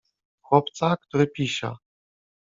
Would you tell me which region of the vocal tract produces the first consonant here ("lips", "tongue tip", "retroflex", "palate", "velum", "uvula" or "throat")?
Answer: velum